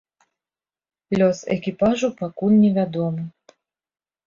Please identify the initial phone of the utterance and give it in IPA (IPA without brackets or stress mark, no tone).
lʲ